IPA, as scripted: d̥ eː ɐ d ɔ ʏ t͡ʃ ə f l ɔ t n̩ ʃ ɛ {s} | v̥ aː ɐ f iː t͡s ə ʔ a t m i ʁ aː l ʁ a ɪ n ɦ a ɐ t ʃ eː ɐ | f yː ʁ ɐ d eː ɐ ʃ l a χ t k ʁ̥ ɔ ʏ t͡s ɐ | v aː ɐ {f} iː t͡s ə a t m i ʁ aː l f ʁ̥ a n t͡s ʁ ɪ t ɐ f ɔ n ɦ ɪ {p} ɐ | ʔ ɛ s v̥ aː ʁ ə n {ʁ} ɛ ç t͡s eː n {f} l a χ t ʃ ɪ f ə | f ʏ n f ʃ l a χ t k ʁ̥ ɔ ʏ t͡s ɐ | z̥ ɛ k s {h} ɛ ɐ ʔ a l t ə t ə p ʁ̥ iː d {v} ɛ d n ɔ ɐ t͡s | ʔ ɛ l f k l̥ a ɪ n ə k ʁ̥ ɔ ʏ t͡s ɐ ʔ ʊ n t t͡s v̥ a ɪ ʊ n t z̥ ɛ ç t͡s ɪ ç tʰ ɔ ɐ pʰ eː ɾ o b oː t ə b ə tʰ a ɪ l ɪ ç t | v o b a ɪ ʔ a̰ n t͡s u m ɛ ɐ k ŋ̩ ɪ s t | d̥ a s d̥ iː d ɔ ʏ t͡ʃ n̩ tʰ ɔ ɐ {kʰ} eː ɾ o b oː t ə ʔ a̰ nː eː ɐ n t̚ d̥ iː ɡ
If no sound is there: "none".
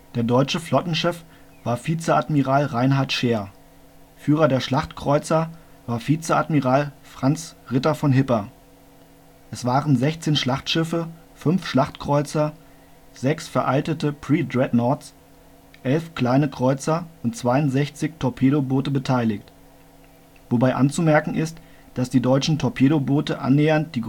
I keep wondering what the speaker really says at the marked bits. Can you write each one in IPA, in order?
f, f, p, z, ʃ, f, ʁ, pʰ

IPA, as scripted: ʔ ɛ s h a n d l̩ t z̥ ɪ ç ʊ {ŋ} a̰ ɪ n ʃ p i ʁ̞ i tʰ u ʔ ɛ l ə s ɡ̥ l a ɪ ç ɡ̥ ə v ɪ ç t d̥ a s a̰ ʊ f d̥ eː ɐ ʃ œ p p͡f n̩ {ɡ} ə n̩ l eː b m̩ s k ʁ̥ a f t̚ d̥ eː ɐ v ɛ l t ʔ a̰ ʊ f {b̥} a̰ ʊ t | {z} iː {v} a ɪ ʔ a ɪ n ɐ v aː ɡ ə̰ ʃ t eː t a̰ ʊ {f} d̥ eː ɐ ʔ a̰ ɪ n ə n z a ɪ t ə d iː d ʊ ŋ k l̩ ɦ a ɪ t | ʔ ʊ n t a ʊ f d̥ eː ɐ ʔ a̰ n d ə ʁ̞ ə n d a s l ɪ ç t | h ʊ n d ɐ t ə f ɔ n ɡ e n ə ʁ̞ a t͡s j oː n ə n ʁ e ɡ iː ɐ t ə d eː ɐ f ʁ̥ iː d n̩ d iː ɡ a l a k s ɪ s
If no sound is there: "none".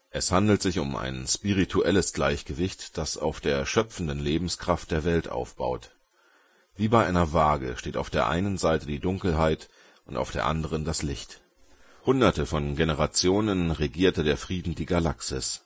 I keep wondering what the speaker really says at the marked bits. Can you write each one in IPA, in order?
m, d, b̥, v, b, f

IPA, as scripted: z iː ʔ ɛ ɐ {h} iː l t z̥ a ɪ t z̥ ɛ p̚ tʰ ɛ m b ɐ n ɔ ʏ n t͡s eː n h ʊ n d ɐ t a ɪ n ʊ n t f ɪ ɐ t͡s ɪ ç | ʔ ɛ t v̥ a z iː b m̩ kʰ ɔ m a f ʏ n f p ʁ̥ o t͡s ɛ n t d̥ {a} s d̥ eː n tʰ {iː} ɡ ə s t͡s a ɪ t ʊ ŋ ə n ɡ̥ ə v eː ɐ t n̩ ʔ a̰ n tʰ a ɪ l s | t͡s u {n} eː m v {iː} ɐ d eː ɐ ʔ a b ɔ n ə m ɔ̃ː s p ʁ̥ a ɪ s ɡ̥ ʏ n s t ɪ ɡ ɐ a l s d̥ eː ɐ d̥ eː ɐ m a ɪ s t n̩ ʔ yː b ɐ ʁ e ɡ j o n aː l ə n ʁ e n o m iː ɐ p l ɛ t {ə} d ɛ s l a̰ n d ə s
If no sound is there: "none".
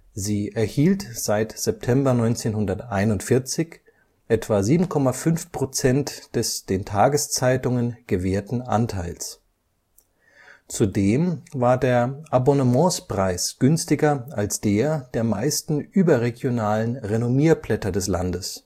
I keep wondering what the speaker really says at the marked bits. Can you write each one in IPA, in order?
h, ɛ, aː, d, aː, ɐ

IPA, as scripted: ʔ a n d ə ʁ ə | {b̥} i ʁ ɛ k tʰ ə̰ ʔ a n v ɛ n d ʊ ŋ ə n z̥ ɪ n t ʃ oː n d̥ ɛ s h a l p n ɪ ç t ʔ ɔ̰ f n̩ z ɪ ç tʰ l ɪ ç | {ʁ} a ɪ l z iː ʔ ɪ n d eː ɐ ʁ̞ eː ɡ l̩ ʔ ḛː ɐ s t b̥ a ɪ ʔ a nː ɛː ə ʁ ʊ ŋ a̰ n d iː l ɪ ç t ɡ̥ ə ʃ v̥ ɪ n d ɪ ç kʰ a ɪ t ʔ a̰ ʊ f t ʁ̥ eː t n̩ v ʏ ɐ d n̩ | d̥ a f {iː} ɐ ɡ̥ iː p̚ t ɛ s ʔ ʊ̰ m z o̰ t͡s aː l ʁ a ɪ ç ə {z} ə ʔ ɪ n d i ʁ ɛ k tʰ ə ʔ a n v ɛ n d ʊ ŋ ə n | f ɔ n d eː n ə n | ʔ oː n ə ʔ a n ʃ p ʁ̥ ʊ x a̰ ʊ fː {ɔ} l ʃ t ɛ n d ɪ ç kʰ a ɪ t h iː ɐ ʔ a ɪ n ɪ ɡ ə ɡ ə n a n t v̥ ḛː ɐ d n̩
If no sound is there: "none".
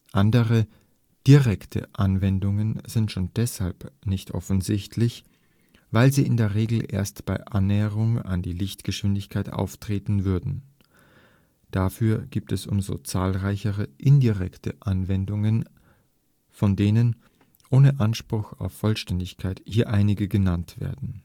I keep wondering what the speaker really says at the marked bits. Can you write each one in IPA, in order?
d̥, v, yː, ʁ, ɔ

